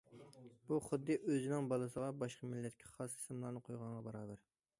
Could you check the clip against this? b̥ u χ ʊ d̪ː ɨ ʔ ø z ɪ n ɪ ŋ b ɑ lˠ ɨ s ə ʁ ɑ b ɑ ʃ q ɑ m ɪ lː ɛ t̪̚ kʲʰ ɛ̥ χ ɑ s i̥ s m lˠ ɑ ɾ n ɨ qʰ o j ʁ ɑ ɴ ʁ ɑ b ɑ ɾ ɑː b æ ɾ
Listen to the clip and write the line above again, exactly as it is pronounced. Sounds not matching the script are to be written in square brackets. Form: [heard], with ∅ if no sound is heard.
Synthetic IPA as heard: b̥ u χ ʊ d̪ː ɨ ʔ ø z ɪ n ɪ ŋ b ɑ lˠ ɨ s ə ʁ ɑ b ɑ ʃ q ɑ m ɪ lː ɛ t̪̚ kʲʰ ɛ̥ χ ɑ s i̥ s m lˠ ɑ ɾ n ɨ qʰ o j ʁ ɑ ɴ ʁ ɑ b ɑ ɾ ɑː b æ ɾ

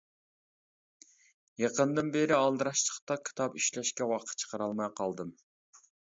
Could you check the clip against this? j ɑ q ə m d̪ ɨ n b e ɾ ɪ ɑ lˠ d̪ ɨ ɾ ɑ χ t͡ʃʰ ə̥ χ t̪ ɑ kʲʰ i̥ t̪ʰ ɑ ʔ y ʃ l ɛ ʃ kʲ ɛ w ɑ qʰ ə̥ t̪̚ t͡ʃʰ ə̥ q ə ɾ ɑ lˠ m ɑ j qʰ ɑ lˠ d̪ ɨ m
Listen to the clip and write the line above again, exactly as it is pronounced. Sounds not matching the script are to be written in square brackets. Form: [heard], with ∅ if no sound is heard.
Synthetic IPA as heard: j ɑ q ə [n] d̪ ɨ n b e ɾ ɪ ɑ lˠ d̪ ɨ ɾ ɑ [ʃ] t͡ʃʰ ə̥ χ t̪ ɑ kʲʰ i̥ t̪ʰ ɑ [p] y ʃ l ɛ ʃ kʲ ɛ w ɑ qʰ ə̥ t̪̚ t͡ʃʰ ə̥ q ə ɾ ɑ lˠ m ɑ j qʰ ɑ lˠ d̪ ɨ m

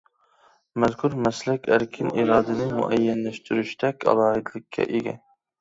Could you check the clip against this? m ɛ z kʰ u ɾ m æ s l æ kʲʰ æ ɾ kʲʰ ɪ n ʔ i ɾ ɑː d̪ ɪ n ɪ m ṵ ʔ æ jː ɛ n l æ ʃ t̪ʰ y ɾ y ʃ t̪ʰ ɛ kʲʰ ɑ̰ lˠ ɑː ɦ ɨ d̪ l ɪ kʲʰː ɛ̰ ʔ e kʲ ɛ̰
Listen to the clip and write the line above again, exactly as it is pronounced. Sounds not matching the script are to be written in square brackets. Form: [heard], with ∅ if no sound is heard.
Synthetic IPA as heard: m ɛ z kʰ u ɾ m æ s l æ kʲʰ æ ɾ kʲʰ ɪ n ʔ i ɾ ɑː d̪ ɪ n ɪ m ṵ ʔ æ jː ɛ n l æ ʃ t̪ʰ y ɾ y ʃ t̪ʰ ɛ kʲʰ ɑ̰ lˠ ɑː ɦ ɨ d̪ l ɪ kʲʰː ɛ̰ ʔ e [ɡʲ] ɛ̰

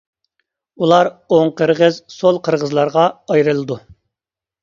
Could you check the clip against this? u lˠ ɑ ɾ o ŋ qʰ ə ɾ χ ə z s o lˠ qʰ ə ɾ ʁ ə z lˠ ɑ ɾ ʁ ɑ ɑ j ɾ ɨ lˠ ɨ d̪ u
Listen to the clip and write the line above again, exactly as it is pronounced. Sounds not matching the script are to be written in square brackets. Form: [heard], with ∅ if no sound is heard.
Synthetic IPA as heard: u lˠ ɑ ɾ o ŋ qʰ ə ɾ [ʁ] ə z s o lˠ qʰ ə ɾ ʁ ə z lˠ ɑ ɾ ʁ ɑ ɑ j ɾ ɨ lˠ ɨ d̪ u

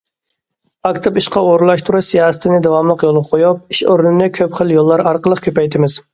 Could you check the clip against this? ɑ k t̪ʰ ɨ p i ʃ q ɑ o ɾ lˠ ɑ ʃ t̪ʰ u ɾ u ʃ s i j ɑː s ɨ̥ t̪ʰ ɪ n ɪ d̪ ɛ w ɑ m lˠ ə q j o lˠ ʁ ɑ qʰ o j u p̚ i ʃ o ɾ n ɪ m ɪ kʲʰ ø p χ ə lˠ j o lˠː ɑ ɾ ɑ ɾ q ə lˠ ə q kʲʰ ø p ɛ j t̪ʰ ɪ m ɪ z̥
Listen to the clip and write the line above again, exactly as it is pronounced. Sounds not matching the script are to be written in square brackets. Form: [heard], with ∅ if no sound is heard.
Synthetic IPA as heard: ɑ k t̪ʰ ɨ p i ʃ q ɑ o ɾ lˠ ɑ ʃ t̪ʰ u ɾ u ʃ s i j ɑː s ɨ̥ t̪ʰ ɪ n ɪ d̪ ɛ w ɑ m lˠ ə q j o lˠ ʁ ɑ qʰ o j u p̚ i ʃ o ɾ n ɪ [n] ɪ kʲʰ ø p χ ə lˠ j o lˠː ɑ ɾ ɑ ɾ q ə lˠ ə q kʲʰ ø p ɛ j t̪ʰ ɪ m ɪ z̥

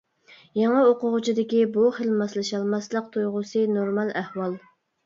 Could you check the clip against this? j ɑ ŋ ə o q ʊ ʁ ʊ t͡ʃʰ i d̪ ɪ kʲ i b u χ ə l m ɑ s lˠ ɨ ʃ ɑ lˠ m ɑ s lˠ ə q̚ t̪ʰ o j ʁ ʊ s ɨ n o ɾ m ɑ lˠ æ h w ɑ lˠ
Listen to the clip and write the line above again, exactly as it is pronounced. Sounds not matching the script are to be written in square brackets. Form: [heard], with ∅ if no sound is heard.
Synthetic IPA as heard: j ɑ ŋ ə o q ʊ ʁ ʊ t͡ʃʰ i d̪ ɪ kʲ i b u χ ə l m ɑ s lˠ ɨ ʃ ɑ lˠ m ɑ s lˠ ə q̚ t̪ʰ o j ʁ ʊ s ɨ n o ɾ m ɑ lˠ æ h w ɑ lˠ

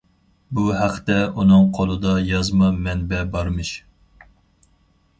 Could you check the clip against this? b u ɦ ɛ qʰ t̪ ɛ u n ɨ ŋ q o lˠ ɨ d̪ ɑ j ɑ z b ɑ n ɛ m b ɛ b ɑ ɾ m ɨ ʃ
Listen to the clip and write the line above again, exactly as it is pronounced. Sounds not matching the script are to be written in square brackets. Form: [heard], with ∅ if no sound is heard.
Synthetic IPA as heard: b u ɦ [æ] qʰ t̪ ɛ u n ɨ ŋ [qʰ] o lˠ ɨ d̪ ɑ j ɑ z [m] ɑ [m] ɛ [n] b ɛ b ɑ ɾ m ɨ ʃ

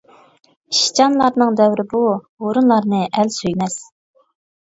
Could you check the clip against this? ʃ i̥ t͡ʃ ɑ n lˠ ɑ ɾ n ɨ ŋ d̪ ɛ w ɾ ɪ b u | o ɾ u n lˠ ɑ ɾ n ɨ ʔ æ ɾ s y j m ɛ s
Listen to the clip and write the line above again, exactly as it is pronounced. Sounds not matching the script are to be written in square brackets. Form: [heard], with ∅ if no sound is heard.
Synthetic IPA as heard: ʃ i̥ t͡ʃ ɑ n lˠ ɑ ɾ n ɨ ŋ d̪ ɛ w ɾ ɪ b u | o ɾ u n lˠ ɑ ɾ n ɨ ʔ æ [l] s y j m ɛ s

